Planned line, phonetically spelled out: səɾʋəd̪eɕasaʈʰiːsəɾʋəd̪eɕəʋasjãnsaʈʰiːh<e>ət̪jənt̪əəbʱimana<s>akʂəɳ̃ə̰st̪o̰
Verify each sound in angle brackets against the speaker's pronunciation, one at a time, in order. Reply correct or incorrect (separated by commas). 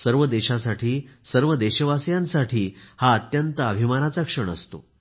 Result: incorrect, incorrect